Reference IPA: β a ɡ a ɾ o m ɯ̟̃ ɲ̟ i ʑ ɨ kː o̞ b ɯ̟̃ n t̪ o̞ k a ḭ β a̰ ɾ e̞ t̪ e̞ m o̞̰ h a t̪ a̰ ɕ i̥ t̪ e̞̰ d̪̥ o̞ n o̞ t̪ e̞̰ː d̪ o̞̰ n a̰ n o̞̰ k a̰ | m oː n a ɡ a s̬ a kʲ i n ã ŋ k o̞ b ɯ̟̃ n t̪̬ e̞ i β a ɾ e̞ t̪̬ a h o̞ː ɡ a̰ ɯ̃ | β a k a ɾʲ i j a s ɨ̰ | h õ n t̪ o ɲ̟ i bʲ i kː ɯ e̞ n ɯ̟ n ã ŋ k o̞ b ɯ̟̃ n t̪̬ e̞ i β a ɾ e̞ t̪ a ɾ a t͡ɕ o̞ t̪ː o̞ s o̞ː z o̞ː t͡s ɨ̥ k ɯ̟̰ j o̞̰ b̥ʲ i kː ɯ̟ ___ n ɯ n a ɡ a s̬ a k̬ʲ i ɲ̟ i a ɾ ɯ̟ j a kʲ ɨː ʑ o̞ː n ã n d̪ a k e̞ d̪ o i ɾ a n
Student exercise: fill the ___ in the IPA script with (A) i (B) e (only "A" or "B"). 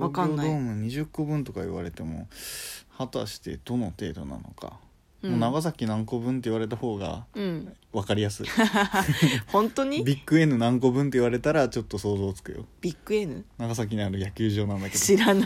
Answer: B